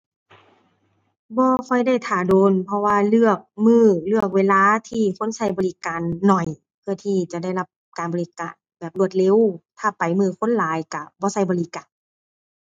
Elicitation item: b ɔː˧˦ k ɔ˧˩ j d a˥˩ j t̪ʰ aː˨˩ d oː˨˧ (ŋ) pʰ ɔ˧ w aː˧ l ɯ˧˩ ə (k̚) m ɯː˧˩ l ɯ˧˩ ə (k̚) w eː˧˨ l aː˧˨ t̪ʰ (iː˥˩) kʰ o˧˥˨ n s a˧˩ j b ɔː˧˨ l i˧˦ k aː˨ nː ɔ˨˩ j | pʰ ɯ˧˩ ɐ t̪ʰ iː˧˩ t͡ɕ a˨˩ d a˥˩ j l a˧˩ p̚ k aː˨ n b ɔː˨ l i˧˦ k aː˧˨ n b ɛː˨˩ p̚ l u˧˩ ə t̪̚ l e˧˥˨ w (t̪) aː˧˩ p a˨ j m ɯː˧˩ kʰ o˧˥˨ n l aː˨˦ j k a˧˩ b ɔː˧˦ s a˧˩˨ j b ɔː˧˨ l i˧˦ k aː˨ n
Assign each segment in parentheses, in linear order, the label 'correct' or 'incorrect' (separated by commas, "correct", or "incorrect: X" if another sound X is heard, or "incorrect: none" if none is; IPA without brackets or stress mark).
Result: incorrect: n, correct, correct, incorrect: iː˧˩, incorrect: t̪ʰ